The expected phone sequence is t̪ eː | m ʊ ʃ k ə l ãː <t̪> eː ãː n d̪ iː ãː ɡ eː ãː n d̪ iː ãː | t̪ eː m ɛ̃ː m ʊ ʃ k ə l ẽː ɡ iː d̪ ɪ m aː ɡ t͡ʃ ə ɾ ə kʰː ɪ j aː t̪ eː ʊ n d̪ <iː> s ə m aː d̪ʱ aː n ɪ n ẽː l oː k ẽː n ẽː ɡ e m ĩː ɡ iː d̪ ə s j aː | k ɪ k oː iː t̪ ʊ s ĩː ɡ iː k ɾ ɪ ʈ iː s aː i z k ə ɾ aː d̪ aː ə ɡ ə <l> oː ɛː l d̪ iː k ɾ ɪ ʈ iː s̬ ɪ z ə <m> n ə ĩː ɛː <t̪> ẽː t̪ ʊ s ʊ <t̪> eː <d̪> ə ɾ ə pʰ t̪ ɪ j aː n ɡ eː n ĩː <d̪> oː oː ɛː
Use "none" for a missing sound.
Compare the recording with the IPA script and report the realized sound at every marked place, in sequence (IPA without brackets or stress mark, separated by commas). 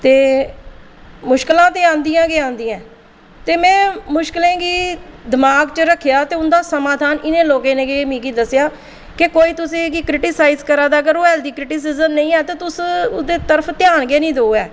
t̪, aː, ɾ, m, t̪, d̪, t̪, d̪